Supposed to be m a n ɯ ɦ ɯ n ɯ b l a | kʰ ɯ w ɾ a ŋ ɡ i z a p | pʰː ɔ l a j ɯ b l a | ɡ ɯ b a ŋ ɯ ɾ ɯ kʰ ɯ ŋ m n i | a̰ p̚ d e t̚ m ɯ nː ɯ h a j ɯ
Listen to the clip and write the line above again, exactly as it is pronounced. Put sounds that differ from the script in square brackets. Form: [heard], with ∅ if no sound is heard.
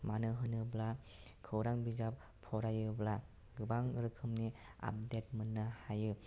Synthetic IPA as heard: m a n ɯ ɦ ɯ n ɯ b l a | kʰ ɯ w ɾ a ŋ [b] i z a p | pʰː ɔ [ɾ] a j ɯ b l a | ɡ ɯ b a ŋ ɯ ɾ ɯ kʰ ɯ [∅] m n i | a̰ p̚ d e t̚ m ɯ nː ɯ h a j ɯ